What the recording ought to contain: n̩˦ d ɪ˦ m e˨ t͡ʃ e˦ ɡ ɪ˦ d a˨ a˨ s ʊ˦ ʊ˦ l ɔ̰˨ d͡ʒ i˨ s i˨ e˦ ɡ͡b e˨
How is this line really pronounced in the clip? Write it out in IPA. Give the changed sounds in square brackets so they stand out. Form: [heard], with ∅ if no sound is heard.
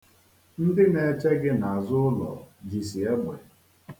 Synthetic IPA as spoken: n̩˦ d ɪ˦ [n] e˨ t͡ʃ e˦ ɡ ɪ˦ [n] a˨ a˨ [z] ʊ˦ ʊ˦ l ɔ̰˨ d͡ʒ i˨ s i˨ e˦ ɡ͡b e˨